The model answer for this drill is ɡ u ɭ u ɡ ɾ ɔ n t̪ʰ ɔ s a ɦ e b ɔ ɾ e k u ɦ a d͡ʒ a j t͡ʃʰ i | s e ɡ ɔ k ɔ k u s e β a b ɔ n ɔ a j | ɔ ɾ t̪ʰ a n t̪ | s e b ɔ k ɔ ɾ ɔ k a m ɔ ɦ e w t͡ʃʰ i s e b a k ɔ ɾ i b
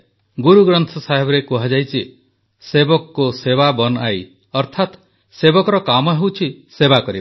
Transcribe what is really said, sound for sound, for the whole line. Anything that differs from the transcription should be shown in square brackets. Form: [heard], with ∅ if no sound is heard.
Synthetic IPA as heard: ɡ u [ɾ] u ɡ ɾ ɔ n t̪ʰ ɔ s a ɦ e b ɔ ɾ e k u ɦ a d͡ʒ a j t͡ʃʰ i | s e [b] ɔ k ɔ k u s e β a b ɔ n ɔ a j | ɔ ɾ t̪ʰ a [∅] t̪ | s e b ɔ k ɔ ɾ ɔ k a m ɔ ɦ e w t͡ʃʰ i s e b a k ɔ ɾ i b